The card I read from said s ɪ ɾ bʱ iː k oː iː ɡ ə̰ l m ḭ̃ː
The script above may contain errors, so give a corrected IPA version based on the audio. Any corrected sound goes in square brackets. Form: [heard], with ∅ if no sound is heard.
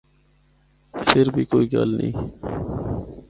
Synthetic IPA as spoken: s ɪ ɾ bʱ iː k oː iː ɡ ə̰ l [n] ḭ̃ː